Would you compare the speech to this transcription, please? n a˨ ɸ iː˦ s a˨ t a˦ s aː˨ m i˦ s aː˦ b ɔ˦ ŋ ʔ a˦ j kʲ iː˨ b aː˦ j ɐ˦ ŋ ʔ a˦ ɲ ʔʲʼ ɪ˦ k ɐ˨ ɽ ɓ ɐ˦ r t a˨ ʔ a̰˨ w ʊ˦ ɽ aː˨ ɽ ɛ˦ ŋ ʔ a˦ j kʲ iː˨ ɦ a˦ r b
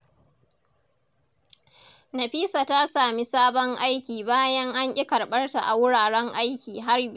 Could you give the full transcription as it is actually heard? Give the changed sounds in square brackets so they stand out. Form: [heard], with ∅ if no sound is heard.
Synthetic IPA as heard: n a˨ ɸ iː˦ s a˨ t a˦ s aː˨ m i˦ s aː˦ b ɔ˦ ŋ ʔ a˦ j kʲ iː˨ b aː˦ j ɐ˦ ŋ ʔ a˦ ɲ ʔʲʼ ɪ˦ k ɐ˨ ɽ ɓ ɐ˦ r t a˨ ʔ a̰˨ w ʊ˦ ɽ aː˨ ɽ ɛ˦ ŋ ʔ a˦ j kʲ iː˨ ɦ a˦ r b